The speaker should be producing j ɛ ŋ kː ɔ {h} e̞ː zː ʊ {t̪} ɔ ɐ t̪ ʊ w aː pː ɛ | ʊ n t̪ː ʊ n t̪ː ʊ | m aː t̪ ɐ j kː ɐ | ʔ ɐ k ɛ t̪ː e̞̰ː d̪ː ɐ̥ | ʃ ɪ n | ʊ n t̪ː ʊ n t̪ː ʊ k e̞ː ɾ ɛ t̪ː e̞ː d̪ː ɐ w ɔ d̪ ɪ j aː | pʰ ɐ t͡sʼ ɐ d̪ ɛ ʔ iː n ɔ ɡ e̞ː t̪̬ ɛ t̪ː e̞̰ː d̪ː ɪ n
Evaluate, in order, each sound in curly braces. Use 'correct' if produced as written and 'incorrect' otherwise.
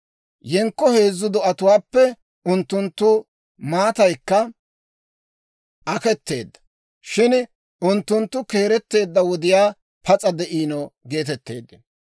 correct, incorrect: d̪

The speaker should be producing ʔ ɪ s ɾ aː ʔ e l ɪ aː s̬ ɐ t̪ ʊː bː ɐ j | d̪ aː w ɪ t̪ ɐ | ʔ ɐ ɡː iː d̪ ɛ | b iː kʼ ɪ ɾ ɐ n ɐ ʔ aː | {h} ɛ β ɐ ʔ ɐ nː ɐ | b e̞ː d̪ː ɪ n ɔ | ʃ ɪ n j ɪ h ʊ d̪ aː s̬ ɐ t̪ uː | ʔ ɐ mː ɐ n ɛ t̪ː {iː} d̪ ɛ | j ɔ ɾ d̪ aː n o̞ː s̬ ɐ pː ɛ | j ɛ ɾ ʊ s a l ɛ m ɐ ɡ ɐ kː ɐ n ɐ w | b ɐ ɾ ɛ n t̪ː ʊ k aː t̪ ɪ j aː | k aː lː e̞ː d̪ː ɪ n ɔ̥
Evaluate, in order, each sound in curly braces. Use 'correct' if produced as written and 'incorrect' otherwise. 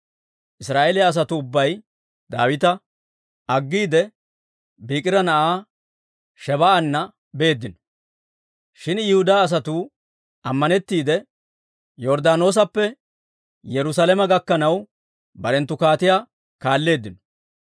incorrect: ʃ, correct

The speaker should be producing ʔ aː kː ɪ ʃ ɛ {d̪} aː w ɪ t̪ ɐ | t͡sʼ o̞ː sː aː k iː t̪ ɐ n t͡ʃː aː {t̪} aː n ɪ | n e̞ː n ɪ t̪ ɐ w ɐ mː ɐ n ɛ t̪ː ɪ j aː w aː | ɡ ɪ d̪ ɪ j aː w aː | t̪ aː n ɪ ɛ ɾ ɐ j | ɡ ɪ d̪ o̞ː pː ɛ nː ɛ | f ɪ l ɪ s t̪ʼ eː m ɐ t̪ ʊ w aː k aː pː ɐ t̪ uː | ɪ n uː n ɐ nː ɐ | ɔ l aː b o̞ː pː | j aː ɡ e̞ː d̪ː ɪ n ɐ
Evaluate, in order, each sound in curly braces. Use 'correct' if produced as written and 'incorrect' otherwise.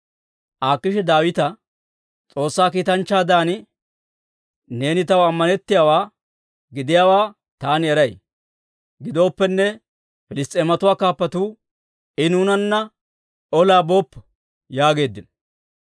correct, incorrect: d̪

